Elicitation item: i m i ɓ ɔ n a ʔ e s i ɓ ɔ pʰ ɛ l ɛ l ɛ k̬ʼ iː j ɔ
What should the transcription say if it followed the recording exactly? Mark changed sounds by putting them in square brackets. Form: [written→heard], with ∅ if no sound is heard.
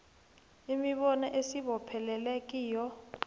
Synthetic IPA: i m i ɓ ɔ n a ʔ e s i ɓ ɔ pʰ ɛ l ɛ l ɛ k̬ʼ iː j ɔ